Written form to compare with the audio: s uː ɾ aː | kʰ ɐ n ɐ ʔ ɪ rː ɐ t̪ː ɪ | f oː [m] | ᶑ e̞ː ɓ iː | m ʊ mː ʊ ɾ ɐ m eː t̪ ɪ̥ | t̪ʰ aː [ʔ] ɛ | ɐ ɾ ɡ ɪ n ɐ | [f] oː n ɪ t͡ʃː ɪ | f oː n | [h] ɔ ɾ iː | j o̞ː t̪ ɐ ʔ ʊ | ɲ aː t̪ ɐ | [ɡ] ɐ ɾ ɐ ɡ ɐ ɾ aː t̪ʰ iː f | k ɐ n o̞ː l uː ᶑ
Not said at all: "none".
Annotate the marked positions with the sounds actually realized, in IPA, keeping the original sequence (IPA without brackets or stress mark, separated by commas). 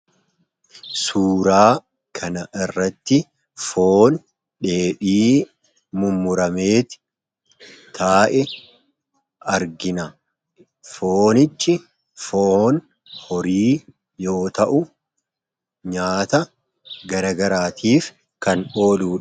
n, ʔ, f, h, ɡ